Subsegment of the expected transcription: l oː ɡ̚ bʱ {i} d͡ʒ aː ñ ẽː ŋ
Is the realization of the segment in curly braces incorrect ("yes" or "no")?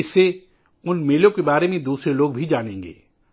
no